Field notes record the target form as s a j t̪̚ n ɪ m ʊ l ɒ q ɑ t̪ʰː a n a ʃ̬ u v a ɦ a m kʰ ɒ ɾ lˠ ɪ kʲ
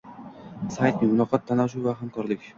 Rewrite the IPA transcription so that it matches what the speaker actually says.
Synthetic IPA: s a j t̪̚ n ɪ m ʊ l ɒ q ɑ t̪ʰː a n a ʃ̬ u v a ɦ a m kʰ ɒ ɾ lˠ ɪ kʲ